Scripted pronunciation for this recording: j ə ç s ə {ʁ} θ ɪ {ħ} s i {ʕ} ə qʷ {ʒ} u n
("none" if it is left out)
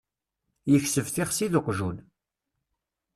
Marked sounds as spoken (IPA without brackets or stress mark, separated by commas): v, χ, ð, ʒ